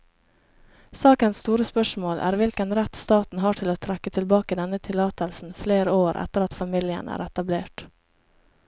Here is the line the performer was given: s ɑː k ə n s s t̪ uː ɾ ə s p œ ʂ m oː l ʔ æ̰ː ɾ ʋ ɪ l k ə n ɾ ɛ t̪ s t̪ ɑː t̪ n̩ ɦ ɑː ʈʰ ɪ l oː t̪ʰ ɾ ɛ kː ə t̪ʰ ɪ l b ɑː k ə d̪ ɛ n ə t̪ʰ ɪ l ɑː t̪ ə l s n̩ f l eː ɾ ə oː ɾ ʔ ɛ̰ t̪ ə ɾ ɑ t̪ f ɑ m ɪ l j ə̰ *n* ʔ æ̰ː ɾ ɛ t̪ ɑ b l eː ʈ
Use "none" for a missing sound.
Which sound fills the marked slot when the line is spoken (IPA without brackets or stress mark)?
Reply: n